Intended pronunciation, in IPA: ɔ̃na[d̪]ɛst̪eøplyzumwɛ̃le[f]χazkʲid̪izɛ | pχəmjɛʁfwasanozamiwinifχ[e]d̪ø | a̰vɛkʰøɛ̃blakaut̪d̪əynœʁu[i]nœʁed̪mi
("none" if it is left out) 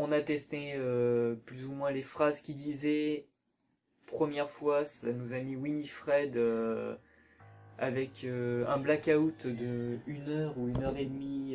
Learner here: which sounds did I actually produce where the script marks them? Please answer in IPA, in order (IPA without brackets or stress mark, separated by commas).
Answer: t̪, f, ɛ, y